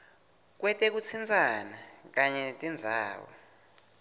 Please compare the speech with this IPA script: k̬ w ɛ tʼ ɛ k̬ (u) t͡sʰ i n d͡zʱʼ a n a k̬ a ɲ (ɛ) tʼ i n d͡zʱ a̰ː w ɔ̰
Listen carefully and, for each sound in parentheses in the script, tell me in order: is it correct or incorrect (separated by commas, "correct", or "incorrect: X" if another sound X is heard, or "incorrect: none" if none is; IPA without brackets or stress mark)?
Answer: correct, correct